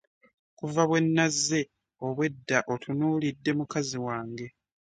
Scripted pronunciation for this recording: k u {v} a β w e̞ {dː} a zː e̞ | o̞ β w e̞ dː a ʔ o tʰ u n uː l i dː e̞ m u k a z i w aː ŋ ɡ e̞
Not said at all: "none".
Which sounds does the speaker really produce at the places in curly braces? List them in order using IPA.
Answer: v, nː

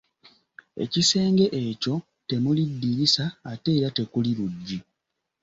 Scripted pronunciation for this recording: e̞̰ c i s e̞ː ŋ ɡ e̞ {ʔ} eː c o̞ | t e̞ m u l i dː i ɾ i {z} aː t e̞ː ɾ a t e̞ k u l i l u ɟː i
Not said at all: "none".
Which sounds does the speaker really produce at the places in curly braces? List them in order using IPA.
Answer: ʔ, s

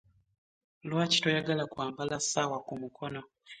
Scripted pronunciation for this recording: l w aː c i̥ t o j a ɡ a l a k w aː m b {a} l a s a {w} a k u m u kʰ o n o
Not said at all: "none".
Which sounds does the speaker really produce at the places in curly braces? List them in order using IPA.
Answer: a, w

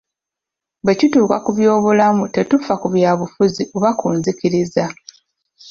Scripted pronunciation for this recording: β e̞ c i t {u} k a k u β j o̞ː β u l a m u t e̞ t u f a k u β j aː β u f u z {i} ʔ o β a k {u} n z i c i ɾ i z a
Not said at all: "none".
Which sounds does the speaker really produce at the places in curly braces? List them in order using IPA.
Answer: uː, i, uː

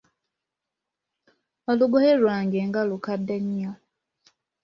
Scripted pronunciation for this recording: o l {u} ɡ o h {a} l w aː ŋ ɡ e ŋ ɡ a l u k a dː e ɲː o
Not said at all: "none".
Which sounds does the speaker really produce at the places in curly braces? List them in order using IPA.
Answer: u, e

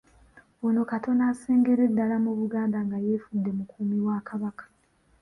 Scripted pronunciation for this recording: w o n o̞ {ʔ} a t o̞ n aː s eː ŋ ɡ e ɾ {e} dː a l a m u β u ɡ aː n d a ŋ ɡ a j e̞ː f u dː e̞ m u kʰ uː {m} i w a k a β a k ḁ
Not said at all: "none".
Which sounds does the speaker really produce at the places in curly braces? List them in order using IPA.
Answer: k, e, m

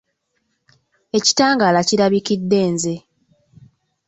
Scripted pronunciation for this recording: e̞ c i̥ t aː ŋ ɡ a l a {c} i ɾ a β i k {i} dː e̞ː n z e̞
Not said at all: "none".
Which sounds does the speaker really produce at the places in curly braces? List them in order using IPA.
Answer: c, i

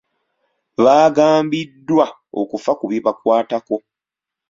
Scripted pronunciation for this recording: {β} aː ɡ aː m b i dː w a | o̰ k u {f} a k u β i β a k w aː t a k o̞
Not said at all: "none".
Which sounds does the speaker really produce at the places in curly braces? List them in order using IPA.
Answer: β, f

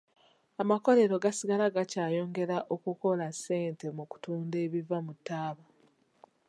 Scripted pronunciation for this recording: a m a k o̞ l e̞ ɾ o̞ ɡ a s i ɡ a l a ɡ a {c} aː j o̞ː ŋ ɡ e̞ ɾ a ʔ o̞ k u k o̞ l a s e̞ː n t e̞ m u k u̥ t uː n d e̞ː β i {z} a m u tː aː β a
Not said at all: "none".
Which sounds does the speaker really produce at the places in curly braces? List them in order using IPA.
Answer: c, v

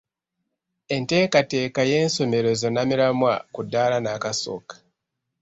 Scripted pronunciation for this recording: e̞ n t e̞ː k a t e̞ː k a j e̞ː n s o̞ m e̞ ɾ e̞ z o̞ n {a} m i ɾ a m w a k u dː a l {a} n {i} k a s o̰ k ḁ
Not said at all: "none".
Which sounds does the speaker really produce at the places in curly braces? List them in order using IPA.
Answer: a, a, a

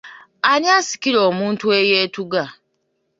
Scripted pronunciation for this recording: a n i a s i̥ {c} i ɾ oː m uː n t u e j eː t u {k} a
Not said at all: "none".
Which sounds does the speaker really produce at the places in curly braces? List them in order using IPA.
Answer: k, ɡ

